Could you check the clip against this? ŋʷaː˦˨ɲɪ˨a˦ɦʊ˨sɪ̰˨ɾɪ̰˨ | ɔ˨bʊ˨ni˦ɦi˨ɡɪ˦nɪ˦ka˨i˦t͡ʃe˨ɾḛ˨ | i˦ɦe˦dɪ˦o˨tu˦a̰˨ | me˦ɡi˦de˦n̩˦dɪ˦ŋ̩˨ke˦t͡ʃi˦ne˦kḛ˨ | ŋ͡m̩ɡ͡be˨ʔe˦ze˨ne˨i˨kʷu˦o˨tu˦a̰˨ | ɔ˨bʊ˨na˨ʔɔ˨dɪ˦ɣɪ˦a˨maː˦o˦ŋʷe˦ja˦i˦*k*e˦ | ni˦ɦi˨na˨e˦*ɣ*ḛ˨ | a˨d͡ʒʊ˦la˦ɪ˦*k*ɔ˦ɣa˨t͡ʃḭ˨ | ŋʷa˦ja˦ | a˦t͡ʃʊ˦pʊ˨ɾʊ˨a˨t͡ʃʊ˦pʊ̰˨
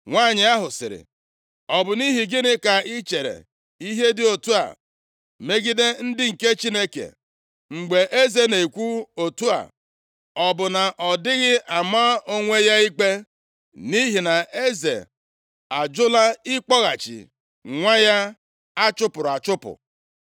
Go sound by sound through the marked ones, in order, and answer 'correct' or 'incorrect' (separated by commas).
incorrect, incorrect, incorrect